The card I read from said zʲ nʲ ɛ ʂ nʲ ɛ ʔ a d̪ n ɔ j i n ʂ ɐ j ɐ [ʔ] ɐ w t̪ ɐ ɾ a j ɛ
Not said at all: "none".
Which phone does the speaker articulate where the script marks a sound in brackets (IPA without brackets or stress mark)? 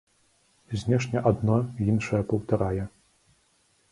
p